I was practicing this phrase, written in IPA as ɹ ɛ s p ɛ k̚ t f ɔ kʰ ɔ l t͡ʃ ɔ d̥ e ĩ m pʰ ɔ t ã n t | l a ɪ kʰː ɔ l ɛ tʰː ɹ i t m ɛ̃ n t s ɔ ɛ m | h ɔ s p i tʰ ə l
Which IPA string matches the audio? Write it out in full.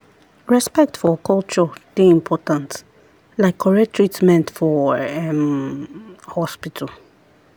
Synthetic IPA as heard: ɹ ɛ s p ɛ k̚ t f ɔ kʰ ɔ l t͡ʃ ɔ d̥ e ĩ m pʰ ɔ t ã n t | l a ɪ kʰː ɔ ɹ ɛ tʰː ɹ i t m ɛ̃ n t f ɔ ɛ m | h ɔ s p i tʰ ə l